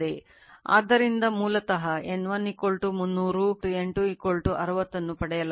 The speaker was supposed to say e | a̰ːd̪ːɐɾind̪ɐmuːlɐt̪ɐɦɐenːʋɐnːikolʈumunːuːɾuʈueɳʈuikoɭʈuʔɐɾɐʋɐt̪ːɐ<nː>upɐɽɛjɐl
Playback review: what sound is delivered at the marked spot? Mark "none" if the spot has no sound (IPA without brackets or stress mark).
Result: nː